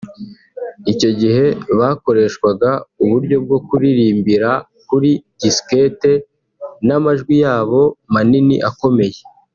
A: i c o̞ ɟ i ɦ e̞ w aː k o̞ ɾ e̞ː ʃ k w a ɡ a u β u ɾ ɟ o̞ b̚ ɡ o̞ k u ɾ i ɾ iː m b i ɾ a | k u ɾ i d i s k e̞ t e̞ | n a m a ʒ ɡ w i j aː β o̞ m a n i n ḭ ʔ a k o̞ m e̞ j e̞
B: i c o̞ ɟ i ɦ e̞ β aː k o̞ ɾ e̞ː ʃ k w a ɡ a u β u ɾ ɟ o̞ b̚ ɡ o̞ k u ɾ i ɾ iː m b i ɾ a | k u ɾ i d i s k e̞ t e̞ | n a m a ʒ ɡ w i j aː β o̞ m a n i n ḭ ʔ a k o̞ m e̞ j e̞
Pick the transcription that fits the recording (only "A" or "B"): B